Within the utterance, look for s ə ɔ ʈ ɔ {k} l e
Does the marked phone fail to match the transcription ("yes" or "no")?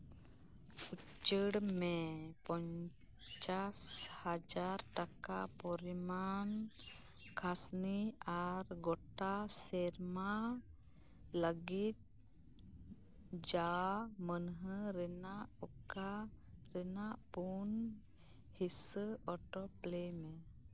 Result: yes